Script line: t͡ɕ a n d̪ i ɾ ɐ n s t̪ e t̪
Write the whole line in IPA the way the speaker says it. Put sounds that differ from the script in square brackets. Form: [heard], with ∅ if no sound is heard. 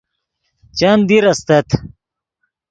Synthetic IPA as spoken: t͡ɕ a n d̪ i ɾ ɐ [∅] s t̪ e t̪

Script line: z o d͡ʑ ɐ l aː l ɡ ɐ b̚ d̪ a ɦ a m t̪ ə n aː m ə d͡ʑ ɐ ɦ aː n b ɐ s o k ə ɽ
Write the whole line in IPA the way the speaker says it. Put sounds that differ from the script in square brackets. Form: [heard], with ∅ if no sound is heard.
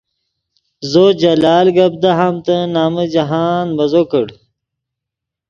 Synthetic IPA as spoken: z o d͡ʑ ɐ l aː l ɡ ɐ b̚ d̪ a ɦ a m t̪ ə n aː m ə d͡ʑ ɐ ɦ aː n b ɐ [z] o k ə ɽ

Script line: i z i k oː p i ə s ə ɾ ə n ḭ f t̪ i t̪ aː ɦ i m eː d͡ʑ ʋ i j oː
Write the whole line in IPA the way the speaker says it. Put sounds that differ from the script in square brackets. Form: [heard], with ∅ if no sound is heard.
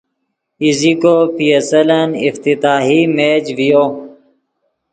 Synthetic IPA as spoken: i z i k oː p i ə s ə [l] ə n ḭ f t̪ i t̪ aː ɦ i m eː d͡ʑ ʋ i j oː

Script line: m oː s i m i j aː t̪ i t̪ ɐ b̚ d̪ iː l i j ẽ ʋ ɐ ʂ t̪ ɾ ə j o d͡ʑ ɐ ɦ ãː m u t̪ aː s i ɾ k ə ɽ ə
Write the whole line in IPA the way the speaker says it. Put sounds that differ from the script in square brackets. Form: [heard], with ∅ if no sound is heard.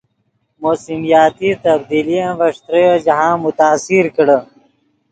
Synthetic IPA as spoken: m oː s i m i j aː t̪ i t̪ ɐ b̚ d̪ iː l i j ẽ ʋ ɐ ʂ t̪ ɾ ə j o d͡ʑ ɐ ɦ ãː m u t̪ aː s i ɾ k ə ɽ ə

